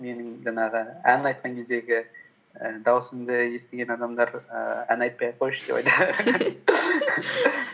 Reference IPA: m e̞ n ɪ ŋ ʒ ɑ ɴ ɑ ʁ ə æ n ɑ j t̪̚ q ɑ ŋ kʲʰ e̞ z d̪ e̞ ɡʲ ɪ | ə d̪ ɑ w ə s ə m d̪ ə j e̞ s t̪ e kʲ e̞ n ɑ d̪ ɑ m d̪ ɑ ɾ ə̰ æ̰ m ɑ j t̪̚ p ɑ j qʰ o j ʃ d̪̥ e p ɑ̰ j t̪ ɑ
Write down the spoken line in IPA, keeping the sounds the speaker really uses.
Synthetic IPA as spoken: m e̞ n ɪ ŋ ʒ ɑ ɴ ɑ ʁ ə æ n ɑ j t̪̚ q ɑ ŋ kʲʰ e̞ z d̪ e̞ ɡʲ ɪ | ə d̪ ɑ w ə s ə m d̪ ə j e̞ s t̪ e ɡʲ e̞ n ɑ d̪ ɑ m d̪ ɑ ɾ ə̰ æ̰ n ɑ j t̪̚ p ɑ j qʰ o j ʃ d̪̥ e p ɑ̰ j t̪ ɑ